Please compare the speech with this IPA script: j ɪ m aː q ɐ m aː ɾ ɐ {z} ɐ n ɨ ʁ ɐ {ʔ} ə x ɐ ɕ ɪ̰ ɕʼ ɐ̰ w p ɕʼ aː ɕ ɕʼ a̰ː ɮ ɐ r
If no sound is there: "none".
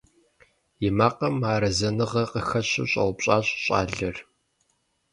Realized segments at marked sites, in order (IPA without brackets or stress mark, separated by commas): z, q